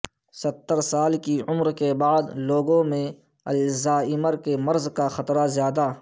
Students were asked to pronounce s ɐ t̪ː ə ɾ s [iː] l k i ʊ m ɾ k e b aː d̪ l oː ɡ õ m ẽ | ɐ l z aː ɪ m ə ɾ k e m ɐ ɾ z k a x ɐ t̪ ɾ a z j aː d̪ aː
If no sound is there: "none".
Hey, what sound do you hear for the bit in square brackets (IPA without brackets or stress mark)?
aː